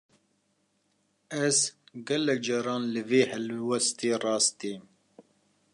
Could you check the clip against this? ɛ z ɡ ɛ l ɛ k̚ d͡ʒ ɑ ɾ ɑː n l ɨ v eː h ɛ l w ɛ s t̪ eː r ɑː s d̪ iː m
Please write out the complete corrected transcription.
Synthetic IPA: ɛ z ɡ ɛ l ɛ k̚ d͡ʒ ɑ ɾ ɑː n l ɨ v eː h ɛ l w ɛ s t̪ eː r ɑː s t̪ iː m